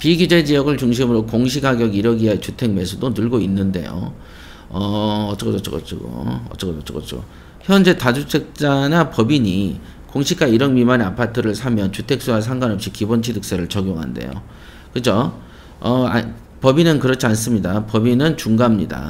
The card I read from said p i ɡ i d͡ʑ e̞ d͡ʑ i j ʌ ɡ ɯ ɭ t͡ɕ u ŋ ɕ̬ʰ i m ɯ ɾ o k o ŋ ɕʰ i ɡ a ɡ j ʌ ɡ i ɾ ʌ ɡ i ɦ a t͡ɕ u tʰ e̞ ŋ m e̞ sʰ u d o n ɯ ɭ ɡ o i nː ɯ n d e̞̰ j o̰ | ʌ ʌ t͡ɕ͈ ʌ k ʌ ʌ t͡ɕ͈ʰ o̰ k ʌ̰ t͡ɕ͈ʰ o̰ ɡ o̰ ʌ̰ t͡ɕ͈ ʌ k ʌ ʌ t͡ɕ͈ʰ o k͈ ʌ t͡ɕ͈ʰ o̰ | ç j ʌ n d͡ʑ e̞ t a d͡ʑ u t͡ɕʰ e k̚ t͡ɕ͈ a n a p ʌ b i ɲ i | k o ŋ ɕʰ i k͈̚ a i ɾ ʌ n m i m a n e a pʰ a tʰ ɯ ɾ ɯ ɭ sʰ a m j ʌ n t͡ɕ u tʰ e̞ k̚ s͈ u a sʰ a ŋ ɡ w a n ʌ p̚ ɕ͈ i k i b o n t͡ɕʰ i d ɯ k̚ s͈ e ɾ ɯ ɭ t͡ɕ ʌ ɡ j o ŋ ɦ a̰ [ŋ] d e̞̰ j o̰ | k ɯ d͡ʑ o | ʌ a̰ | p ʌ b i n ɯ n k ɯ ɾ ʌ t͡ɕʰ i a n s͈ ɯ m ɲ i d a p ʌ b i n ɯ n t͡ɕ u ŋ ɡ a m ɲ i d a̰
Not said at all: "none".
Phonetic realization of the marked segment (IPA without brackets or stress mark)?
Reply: n